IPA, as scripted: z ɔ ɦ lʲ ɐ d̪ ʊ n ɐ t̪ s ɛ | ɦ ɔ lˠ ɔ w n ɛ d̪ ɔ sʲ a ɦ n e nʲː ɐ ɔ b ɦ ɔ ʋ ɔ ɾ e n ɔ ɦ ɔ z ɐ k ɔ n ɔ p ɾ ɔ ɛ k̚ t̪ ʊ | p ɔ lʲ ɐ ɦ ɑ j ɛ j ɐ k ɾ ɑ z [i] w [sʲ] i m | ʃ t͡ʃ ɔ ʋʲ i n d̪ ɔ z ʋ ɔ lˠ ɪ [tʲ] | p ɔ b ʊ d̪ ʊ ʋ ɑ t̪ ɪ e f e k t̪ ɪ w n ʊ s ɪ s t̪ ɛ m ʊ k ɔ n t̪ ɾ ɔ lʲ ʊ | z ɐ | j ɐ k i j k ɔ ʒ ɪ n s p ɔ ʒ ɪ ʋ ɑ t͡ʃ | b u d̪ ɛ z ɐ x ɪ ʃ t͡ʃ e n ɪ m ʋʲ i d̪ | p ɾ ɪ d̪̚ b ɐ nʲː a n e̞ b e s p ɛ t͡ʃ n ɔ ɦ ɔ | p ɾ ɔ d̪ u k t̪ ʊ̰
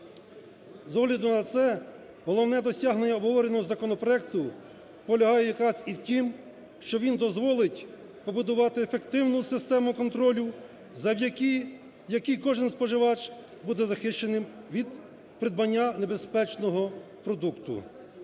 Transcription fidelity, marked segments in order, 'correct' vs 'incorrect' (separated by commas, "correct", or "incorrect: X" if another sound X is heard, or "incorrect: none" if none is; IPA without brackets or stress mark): correct, incorrect: tʲ, correct